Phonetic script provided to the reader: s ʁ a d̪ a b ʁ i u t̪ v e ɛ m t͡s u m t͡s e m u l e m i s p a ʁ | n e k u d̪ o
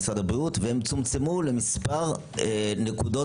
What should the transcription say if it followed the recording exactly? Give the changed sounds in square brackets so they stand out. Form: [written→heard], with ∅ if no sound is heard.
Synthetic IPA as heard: s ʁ a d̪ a b ʁ i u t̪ v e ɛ m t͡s u m t͡s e m u l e m i s p a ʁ | n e k u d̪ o